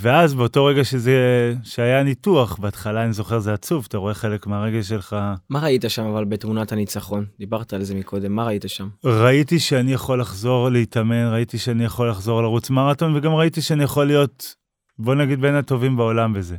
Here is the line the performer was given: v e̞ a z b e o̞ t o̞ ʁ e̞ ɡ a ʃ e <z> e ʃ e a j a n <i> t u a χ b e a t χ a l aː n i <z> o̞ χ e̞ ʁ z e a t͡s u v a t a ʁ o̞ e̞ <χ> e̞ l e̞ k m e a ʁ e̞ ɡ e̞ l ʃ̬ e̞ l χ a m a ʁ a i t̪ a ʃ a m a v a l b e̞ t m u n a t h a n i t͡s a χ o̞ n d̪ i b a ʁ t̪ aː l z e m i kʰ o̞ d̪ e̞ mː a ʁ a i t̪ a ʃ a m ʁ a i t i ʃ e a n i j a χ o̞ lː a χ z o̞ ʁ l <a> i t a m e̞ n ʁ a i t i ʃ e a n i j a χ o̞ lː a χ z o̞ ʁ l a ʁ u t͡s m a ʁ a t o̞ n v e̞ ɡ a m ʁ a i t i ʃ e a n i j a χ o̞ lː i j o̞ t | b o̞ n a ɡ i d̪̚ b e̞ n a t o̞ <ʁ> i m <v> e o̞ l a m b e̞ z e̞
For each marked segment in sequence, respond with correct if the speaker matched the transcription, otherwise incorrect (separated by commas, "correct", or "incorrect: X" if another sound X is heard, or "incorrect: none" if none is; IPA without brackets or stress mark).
correct, correct, correct, correct, incorrect: e, incorrect: v, incorrect: b